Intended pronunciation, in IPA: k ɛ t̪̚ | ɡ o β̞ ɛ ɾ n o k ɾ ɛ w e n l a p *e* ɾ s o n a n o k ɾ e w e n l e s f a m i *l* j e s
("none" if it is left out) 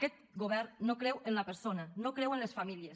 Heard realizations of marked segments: e, l

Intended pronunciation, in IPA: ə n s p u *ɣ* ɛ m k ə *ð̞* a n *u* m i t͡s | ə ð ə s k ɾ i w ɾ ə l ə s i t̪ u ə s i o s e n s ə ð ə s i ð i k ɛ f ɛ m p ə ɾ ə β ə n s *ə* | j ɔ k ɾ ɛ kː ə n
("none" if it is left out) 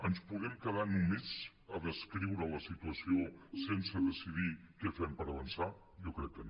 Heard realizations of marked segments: ɣ, ð̞, u, a

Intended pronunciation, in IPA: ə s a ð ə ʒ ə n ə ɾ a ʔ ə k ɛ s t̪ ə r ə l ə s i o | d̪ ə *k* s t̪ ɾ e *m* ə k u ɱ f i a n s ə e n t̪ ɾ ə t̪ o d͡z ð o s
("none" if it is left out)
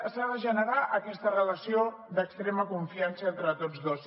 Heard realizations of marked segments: k, m

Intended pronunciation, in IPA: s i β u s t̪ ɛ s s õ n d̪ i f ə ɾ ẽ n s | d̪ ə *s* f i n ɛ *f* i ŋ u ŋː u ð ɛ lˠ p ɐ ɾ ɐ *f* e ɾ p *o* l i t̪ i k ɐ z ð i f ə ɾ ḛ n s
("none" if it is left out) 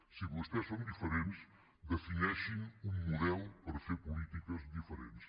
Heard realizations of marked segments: none, ʃ, f, u

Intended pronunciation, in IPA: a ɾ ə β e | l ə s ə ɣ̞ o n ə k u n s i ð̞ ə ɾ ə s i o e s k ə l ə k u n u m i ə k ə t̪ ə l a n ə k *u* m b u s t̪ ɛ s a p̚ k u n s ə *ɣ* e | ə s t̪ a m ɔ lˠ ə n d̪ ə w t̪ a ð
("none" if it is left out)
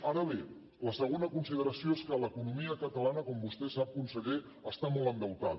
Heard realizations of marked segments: ɔ, ɣ

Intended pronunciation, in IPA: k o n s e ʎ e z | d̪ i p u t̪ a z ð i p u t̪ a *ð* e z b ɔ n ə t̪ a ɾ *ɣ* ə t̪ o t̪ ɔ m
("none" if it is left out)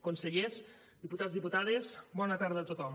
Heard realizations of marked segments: ð, ð

